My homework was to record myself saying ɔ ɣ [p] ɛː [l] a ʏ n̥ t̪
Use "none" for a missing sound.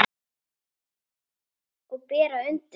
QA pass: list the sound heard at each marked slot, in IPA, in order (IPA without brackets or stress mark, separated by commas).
p, ɾ